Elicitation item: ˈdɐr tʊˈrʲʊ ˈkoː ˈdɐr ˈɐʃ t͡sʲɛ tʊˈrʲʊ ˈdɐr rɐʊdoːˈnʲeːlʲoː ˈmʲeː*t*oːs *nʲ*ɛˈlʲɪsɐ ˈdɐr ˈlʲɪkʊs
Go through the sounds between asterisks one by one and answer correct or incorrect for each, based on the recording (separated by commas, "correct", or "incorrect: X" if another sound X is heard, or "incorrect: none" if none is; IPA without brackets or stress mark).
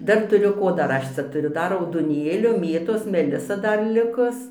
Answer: correct, incorrect: mʲ